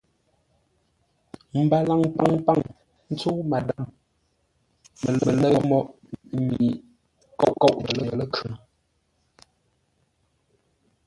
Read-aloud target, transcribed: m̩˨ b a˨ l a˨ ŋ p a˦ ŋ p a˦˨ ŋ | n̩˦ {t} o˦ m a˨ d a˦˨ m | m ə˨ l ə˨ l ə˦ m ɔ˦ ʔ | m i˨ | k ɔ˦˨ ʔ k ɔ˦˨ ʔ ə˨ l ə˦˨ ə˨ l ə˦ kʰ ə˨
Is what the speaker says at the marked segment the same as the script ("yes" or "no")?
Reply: no